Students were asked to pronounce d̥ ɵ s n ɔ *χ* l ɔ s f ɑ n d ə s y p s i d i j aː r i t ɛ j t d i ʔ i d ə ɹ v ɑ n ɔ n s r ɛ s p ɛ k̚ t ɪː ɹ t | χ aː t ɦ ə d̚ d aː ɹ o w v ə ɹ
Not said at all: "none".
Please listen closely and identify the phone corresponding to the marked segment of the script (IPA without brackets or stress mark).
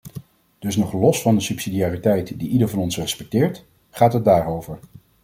χ